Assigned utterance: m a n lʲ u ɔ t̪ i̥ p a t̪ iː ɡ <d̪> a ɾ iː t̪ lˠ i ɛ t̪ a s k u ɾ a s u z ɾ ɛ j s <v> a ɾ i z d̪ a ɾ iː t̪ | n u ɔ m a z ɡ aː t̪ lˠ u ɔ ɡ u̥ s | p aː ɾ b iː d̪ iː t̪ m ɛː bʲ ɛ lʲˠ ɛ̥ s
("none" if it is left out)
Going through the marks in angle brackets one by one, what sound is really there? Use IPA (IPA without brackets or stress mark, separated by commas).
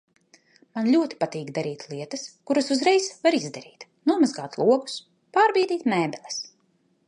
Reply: d̪, v